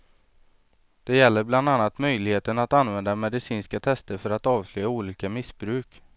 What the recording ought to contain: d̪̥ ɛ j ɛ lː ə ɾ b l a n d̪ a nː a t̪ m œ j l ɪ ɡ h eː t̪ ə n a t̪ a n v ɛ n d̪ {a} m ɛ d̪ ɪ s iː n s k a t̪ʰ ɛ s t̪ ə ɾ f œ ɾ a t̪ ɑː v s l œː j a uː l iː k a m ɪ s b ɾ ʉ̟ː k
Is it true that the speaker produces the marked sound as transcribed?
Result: yes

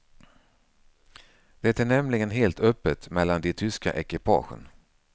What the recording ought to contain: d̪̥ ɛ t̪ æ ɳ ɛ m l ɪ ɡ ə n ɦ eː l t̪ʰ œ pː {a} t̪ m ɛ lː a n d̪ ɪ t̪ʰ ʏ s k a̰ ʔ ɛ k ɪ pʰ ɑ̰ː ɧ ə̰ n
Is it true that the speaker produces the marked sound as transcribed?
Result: no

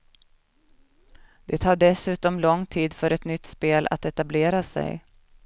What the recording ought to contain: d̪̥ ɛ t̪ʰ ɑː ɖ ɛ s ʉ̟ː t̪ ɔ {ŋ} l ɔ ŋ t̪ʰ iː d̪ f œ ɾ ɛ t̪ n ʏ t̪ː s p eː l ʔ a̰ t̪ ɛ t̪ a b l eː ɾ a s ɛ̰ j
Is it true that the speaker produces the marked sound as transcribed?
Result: no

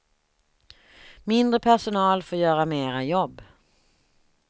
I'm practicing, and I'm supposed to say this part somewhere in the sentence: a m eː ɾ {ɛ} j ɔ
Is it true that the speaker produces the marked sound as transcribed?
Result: no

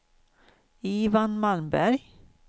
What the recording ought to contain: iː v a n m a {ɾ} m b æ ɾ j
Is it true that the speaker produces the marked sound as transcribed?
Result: no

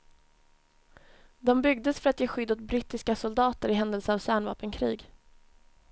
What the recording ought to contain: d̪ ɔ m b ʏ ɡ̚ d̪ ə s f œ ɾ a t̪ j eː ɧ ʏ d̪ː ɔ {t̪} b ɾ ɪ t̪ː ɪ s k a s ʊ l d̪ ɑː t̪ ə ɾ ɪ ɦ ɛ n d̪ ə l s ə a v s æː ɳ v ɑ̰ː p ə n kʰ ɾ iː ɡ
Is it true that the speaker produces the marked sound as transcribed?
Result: yes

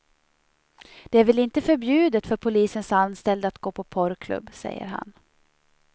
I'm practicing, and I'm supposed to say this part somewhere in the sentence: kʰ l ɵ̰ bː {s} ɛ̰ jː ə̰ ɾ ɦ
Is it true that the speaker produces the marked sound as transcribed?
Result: yes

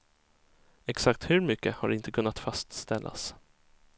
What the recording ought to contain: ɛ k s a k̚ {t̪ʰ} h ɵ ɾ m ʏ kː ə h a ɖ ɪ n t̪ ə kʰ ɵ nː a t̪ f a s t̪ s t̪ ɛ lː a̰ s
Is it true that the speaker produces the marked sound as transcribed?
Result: no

